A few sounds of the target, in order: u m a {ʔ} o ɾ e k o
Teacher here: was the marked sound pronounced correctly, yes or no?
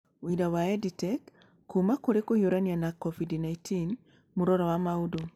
no